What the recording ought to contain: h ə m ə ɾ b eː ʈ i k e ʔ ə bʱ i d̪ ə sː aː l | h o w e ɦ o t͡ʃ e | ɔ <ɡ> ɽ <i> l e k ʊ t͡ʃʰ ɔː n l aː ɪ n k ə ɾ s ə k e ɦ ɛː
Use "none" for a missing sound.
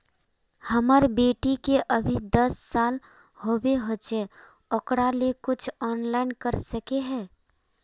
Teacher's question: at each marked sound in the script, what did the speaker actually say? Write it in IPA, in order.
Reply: k, a

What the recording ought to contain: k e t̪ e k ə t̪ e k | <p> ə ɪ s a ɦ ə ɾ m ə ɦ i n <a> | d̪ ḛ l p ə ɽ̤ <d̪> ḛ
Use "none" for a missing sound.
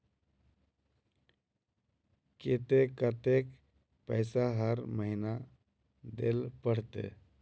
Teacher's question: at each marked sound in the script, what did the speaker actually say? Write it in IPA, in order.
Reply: p, a, t̪

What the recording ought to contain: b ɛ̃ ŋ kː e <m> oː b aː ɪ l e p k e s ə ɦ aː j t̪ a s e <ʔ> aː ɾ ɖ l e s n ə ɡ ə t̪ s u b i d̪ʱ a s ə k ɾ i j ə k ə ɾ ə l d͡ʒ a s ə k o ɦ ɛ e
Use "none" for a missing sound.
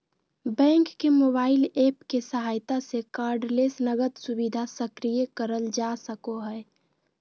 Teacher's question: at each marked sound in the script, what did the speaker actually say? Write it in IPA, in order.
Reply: m, k

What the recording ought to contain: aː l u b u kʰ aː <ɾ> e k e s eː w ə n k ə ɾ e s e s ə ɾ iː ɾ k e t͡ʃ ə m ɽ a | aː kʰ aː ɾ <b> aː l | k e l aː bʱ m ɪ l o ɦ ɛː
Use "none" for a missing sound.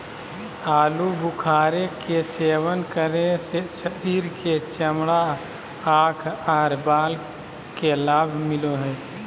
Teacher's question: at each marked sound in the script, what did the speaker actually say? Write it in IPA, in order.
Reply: ɾ, b

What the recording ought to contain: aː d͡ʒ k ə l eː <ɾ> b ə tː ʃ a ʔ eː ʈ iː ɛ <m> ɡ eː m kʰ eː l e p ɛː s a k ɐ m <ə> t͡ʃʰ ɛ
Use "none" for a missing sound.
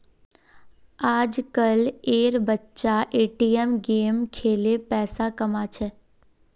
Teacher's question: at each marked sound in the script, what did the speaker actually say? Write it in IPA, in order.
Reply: ɾ, m, a

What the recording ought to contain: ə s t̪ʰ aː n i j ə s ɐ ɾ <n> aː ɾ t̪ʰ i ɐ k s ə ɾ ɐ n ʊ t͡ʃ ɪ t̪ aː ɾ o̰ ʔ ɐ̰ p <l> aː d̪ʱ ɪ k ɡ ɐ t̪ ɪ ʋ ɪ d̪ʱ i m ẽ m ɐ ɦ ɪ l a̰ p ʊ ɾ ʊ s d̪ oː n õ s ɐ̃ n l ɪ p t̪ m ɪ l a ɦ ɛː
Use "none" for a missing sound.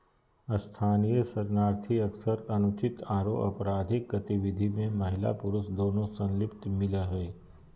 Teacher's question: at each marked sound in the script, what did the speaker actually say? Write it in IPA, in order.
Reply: n, ɾ

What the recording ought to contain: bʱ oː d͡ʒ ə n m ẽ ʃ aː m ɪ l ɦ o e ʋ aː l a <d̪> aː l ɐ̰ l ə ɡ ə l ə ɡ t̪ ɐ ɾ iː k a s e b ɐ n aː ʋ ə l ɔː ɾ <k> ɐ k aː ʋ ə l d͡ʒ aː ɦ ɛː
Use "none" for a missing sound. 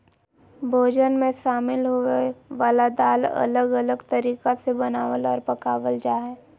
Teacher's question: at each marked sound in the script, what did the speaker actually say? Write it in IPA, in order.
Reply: d̪, p

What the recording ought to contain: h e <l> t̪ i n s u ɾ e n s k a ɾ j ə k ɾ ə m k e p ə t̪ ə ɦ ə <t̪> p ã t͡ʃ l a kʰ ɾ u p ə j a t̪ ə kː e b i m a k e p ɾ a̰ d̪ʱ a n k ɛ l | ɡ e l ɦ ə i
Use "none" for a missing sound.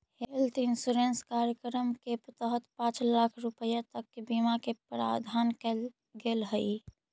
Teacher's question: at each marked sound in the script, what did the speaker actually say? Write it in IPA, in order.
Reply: l, t̪

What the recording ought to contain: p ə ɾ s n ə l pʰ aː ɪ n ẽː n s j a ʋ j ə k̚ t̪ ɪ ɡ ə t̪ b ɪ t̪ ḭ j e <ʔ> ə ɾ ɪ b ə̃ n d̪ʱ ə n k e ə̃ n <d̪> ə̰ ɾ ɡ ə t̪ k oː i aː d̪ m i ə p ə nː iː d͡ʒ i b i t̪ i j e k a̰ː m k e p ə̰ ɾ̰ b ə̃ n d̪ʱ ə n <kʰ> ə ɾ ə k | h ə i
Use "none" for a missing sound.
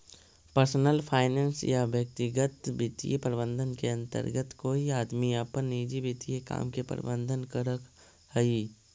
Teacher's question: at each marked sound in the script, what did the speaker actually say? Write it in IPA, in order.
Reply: p, t̪, k

